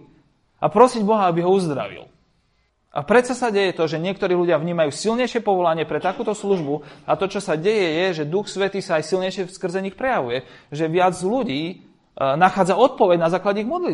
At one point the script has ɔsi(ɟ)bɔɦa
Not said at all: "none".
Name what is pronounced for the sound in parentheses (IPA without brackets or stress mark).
ɟ